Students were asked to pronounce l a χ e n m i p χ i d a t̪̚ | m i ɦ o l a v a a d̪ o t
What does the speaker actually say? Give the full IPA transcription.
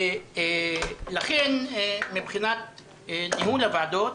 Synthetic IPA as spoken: l a χ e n m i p χ i n a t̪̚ | n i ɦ u l a v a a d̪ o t